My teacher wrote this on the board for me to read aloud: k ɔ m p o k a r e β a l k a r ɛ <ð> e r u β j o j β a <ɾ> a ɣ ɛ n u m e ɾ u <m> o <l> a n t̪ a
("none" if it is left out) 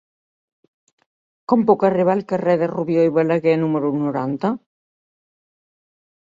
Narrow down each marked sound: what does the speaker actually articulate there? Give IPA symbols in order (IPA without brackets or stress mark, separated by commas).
ð, l, n, ɾ